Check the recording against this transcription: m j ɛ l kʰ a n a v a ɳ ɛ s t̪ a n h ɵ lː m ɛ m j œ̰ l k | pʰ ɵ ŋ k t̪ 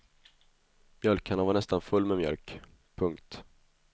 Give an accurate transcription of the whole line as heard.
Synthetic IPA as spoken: m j œ l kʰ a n a v a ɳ ɛ s t̪ a n f ɵ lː m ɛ m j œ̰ l k | pʰ ɵ ŋ k t̪